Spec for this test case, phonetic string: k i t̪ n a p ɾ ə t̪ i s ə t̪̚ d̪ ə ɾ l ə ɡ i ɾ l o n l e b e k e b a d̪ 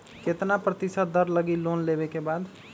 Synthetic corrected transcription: k e t̪ n a p ɾ ə t̪ i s ə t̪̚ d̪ ə ɾ l ə ɡ i l o n l e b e k e b a d̪